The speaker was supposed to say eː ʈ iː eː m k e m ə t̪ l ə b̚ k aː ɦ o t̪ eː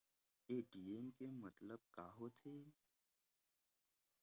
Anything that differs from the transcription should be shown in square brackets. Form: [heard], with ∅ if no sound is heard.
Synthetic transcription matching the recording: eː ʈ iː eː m k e m ə t̪ l ə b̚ k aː ɦ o [t̪ʰ] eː